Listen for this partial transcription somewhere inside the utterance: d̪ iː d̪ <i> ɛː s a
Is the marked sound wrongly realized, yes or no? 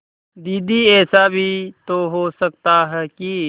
no